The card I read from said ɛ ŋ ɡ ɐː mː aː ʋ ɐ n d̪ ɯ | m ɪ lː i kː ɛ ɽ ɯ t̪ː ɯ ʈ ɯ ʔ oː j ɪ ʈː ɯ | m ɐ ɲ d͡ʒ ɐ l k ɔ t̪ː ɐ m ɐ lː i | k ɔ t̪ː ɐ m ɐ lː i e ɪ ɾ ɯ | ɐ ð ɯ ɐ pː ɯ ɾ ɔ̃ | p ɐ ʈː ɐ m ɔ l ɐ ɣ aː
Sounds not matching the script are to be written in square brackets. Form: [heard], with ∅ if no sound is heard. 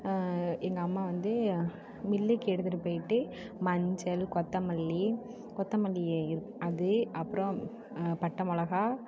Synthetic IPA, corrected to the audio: ɛ ŋ ɡ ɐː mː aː ʋ ɐ n d̪ ɯ | m ɪ lː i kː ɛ ɽ ɯ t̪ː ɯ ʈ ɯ [p] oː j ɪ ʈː ɯ | m ɐ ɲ d͡ʒ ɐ l k ɔ t̪ː ɐ m ɐ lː i | k ɔ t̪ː ɐ m ɐ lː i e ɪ ɾ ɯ | ɐ ð ɯ ɐ pː ɯ ɾ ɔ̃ | p ɐ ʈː ɐ m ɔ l ɐ ɣ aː